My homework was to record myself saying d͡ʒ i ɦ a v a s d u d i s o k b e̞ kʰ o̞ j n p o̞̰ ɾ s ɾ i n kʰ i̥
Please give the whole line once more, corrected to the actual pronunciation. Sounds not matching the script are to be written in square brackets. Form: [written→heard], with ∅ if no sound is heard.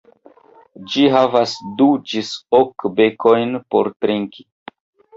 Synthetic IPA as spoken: d͡ʒ i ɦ a v a s d u [d→d͡ʒ] i s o k b e̞ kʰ o̞ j n p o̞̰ ɾ [s→t] ɾ i [n→ŋ] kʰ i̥